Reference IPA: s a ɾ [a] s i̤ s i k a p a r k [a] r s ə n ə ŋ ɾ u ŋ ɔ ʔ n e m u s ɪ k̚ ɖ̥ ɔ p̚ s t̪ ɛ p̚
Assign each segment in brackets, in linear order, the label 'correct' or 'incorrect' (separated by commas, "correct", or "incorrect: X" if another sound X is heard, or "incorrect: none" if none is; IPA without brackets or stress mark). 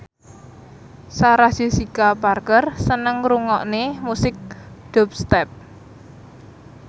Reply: correct, incorrect: ə